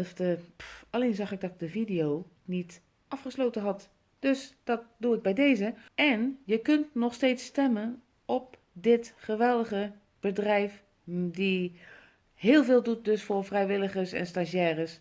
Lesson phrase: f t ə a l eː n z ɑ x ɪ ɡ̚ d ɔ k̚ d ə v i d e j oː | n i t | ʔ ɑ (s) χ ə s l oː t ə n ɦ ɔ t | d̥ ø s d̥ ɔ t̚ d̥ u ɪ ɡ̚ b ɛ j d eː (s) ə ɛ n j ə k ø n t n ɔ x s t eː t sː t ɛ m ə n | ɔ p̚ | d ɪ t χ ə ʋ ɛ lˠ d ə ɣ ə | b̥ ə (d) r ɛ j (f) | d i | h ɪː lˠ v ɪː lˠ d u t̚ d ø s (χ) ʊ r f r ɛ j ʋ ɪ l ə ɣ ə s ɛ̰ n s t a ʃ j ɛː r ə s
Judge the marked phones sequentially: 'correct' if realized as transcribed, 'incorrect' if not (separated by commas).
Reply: incorrect, incorrect, correct, correct, incorrect